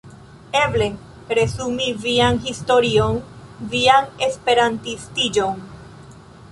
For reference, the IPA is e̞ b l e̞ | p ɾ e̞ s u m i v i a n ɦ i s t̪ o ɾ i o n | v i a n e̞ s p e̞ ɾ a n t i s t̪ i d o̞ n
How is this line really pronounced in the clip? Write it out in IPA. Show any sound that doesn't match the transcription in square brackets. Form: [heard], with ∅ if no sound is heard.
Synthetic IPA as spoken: e̞ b l e̞ | p ɾ e̞ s u m i v i a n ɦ i s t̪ o ɾ i o n | v i a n e̞ s p e̞ ɾ a n t i s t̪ i [d͡ʒ] o̞ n